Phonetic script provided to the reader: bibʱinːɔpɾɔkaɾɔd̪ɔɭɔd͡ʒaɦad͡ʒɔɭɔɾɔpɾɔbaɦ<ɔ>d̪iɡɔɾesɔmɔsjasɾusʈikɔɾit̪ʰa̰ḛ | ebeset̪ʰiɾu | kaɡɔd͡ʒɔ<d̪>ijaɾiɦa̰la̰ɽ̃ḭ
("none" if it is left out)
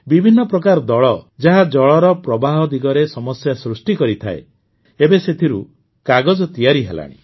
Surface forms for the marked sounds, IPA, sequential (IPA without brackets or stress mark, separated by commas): ɔ, t̪